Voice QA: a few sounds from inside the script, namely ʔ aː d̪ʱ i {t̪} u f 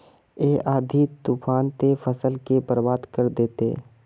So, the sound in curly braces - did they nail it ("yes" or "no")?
yes